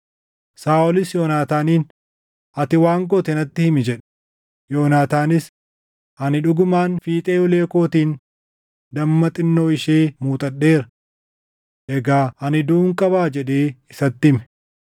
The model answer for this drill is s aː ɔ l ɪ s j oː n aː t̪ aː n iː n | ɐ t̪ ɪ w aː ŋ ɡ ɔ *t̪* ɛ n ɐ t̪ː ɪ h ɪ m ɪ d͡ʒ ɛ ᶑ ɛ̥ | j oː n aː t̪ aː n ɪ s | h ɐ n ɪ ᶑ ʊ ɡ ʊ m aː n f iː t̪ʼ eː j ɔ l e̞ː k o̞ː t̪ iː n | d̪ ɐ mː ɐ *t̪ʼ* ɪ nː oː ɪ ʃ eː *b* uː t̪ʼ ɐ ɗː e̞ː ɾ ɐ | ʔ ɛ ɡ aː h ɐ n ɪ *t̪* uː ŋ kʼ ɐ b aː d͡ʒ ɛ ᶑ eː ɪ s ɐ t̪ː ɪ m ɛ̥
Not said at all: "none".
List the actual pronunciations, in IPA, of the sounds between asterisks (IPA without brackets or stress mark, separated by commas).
t̪, t̪ʼ, m, d̪